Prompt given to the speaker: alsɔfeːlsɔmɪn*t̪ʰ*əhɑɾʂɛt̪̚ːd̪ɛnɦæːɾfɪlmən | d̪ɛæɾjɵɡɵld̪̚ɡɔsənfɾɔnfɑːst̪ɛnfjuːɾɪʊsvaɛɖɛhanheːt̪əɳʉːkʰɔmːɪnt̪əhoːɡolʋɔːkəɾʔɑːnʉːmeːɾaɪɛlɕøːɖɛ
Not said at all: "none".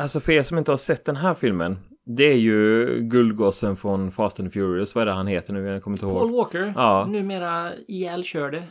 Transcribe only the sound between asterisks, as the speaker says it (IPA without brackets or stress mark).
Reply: t̪